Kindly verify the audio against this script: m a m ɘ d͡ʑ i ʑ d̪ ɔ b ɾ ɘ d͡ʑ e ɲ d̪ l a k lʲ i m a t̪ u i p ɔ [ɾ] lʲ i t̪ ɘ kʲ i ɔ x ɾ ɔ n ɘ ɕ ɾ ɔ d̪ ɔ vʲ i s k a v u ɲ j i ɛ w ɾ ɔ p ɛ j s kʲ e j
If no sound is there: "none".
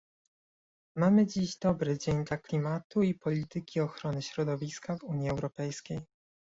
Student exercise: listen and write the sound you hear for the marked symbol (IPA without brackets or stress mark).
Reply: none